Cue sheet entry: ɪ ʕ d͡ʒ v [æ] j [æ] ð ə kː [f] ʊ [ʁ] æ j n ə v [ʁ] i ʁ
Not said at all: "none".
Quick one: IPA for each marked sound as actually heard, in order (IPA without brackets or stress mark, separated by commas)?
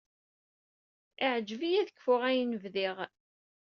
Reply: i, æ, f, ʁ, ð